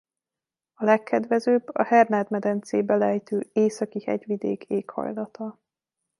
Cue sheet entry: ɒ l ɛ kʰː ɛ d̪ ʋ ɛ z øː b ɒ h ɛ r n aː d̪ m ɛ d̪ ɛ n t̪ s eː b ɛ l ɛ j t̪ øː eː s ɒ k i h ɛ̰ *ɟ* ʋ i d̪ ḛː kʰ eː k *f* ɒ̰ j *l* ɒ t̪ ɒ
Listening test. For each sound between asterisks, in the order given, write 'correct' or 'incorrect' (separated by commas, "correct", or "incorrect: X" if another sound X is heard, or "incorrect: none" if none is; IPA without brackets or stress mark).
correct, incorrect: h, correct